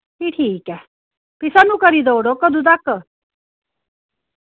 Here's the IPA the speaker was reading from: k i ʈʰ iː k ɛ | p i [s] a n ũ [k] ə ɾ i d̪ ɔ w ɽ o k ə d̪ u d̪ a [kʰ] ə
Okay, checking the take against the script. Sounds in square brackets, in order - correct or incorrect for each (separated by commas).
correct, correct, incorrect